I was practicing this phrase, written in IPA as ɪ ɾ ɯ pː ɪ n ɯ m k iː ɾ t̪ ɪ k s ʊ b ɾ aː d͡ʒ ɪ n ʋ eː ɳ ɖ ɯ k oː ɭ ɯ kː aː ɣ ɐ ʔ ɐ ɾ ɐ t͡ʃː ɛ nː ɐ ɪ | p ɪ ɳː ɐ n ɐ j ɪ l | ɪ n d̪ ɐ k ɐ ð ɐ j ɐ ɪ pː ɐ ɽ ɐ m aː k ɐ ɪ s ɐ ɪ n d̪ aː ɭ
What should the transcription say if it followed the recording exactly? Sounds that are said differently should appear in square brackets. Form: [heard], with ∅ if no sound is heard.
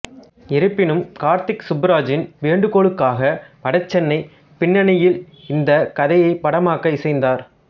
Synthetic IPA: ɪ ɾ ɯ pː ɪ n ɯ m k [aː] ɾ t̪ ɪ k s ʊ b ɾ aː d͡ʒ ɪ n ʋ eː ɳ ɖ ɯ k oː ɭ ɯ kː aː ɣ ɐ [p] ɐ [ɽ] ɐ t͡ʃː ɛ nː ɐ ɪ | p ɪ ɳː ɐ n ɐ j ɪ l | ɪ n d̪ ɐ k ɐ ð ɐ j ɐ ɪ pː ɐ ɽ ɐ m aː k ɐ ɪ s ɐ ɪ n d̪ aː [ɾ]